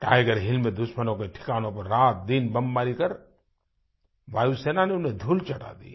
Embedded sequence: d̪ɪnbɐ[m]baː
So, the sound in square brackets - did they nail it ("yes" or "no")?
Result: yes